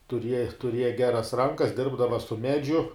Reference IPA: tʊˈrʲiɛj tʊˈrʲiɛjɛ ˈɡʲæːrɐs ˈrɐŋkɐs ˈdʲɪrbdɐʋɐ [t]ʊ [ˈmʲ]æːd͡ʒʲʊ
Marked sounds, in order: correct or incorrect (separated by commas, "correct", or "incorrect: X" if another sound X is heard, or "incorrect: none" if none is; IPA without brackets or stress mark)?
incorrect: s, correct